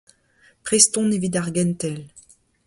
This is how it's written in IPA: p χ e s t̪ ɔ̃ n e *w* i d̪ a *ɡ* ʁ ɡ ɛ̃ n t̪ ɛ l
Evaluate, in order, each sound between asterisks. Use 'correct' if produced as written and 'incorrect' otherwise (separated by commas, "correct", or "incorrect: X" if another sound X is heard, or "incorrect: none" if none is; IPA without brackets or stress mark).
incorrect: v, incorrect: none